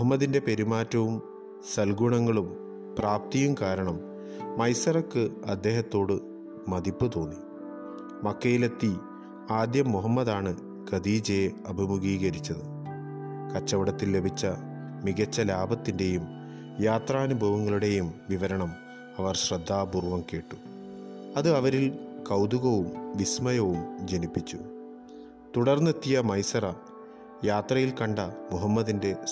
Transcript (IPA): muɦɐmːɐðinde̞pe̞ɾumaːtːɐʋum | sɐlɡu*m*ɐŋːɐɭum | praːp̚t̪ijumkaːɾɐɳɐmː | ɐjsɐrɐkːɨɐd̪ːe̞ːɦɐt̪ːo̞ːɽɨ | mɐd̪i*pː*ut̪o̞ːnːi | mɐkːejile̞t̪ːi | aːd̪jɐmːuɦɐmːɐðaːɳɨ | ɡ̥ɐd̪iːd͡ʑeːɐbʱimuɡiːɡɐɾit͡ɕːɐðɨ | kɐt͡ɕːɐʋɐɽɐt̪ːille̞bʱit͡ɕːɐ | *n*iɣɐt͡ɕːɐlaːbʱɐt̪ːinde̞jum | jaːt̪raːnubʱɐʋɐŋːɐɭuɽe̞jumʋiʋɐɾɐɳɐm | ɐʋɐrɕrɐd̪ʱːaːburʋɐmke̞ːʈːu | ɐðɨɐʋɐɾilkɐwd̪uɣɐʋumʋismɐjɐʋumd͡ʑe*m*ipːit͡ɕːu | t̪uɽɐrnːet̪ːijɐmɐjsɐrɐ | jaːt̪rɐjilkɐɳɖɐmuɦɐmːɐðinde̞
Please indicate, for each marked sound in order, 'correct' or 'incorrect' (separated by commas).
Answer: incorrect, correct, incorrect, incorrect